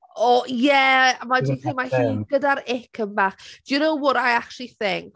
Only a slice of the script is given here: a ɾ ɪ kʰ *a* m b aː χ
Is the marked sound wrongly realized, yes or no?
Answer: yes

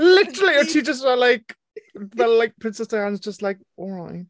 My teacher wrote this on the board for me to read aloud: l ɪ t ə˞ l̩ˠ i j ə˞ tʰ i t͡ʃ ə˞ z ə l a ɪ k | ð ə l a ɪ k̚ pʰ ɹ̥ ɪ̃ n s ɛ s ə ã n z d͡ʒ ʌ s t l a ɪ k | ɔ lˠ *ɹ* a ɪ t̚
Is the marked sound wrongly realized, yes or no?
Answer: no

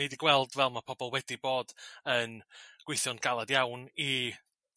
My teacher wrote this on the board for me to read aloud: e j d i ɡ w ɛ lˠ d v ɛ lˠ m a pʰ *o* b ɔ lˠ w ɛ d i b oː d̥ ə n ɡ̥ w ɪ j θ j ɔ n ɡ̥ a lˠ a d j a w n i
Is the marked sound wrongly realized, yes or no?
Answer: yes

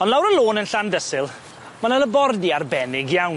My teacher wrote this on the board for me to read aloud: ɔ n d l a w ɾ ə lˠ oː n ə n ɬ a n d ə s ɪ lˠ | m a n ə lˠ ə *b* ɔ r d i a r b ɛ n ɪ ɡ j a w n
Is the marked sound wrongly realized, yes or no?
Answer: no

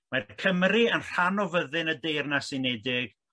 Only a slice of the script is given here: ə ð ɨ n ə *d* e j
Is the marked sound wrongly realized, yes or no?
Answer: no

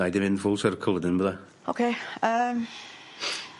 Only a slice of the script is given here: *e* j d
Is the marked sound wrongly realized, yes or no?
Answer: yes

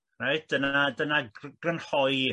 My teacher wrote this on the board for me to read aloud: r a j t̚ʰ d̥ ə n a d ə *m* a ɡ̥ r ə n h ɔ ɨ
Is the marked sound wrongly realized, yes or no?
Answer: yes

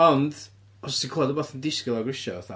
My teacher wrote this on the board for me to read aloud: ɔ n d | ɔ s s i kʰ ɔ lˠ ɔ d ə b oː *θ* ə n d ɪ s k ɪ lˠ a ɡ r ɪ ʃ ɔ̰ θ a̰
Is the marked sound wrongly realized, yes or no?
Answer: no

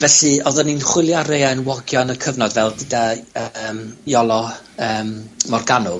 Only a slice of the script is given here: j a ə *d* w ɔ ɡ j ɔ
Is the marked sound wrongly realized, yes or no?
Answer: yes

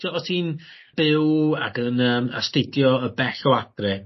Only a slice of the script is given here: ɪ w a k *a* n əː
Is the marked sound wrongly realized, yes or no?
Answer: yes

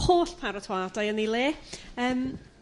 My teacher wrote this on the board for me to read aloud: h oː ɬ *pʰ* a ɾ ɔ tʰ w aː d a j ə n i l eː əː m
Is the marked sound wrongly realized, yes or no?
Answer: no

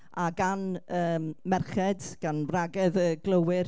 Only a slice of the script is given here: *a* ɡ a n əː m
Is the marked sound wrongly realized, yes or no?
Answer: no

